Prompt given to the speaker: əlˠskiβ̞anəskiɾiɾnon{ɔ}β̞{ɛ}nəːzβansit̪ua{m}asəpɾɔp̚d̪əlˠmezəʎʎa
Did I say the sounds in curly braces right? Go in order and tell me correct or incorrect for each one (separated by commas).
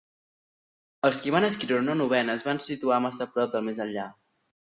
incorrect, correct, correct